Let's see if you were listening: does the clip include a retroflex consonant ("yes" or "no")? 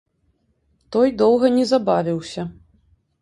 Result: no